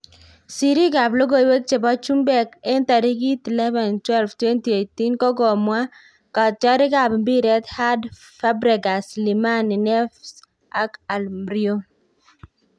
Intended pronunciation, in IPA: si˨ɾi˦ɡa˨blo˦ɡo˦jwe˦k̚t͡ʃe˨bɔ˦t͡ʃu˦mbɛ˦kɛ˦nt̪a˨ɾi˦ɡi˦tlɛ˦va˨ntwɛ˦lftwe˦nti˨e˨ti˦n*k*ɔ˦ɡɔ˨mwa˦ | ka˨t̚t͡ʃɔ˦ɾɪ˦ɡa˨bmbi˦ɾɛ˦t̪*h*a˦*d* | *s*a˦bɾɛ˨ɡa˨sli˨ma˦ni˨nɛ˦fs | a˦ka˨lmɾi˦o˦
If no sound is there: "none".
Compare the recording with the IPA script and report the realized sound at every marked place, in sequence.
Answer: k, h, d, f

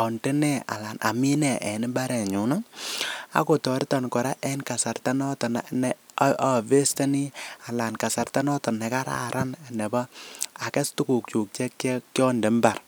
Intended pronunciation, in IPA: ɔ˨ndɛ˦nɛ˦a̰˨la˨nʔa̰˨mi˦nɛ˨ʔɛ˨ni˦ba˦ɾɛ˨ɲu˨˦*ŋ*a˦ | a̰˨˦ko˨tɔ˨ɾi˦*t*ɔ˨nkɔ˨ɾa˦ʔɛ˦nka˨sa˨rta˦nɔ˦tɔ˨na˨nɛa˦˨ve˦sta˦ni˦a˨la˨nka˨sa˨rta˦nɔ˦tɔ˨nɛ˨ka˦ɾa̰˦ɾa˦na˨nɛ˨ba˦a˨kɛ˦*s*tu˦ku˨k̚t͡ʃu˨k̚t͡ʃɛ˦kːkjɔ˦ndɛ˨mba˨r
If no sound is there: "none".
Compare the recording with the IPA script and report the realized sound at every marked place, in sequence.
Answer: n, t, s

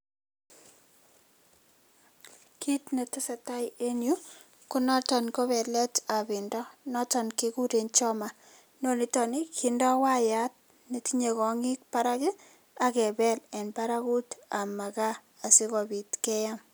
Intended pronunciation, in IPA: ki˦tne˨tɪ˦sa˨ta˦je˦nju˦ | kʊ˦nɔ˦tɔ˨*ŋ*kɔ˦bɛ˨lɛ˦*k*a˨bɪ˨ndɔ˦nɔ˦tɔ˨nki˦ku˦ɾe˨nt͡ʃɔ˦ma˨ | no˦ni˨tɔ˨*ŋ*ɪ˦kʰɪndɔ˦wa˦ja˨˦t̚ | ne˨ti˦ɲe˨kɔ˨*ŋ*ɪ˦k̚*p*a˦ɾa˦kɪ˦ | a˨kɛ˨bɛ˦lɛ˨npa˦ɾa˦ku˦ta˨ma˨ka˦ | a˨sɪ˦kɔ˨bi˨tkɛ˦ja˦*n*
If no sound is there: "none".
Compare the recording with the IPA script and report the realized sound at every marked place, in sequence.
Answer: n, t, n, ŋ, p, m

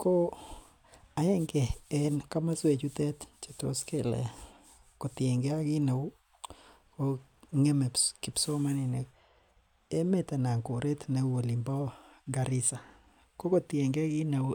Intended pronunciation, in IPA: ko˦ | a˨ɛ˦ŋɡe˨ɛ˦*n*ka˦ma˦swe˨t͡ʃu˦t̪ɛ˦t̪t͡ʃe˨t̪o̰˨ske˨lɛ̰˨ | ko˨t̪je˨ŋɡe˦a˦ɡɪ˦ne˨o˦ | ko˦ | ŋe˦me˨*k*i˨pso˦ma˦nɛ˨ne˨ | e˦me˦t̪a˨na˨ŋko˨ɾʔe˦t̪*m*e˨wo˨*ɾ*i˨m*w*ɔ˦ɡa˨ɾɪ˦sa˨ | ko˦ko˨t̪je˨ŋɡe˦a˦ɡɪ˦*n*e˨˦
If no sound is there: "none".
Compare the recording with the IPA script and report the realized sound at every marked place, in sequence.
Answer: n, k, n, l, b, n

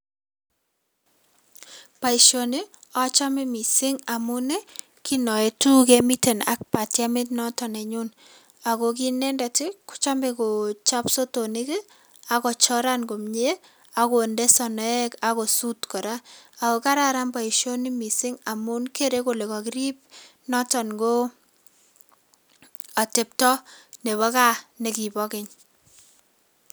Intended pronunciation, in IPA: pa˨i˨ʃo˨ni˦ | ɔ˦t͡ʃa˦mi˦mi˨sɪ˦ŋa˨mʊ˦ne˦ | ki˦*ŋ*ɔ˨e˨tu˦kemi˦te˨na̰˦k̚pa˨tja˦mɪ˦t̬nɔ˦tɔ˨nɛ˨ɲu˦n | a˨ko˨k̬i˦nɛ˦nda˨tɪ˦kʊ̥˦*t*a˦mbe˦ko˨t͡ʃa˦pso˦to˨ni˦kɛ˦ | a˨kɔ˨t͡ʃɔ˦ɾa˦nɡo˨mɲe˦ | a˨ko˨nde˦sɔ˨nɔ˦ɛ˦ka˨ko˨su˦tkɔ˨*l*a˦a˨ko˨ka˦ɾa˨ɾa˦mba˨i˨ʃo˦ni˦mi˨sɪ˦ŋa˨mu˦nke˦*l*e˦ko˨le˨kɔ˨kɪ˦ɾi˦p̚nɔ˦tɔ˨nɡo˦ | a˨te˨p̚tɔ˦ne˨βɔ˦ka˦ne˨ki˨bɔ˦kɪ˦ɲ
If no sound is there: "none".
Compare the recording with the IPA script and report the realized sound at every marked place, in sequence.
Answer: n, t͡ʃ, ɾ, ɾ

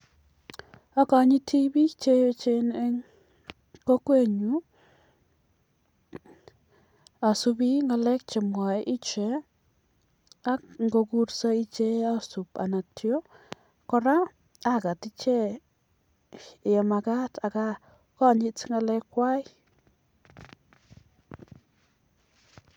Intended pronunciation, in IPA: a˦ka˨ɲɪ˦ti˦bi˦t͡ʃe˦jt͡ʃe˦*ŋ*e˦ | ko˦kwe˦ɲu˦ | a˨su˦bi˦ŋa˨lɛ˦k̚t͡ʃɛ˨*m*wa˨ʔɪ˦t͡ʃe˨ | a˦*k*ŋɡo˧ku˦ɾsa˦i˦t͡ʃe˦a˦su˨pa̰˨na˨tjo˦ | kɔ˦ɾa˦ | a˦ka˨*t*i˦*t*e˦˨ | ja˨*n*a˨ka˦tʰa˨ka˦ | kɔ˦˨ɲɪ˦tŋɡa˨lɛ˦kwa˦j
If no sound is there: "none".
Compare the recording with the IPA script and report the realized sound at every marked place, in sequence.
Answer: n, m, k, t, t͡ʃ, m

